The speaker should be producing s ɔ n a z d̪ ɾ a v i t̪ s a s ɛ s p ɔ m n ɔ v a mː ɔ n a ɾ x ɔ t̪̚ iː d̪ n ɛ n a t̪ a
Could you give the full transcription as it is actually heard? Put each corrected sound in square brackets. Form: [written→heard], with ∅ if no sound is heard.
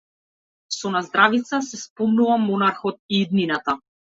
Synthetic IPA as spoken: s ɔ n a z d̪ ɾ a v i t̪ s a s ɛ s p ɔ m n [ɔ→u] v a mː ɔ n a ɾ x ɔ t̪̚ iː d̪ n [ɛ→i] n a t̪ a